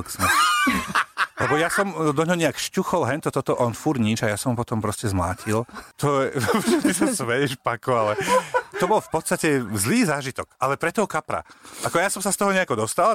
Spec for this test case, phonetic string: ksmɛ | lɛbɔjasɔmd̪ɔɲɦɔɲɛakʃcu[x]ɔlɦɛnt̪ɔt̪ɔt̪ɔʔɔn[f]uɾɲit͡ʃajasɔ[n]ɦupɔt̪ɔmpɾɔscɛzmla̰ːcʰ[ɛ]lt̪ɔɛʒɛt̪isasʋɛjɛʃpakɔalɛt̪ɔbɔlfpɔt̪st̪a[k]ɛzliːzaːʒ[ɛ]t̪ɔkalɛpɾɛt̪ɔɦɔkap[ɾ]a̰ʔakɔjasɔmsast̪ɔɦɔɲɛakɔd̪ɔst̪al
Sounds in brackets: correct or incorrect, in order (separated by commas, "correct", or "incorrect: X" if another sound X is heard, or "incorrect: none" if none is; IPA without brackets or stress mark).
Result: correct, correct, incorrect: m, incorrect: i, incorrect: c, incorrect: i, correct